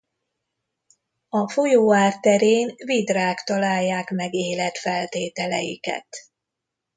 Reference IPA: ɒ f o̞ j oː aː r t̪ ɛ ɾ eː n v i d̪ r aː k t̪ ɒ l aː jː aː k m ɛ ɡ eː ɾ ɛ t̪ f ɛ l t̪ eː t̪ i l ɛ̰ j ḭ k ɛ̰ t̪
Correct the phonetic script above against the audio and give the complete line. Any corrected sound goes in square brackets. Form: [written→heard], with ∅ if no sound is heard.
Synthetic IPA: ɒ f o̞ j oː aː r t̪ ɛ ɾ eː n v i d̪ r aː k t̪ ɒ l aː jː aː k m ɛ ɡ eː [ɾ→l] ɛ t̪ f ɛ l t̪ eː t̪ [i→ɛ] l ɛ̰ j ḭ k ɛ̰ t̪